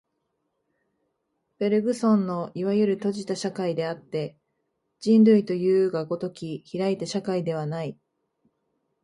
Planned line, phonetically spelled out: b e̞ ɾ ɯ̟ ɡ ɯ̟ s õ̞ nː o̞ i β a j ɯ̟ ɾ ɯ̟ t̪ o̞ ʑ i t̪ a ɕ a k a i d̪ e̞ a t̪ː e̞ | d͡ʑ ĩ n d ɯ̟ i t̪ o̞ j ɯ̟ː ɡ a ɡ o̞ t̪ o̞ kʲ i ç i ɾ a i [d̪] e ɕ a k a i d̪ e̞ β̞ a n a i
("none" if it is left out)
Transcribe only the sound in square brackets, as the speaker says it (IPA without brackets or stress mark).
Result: t̪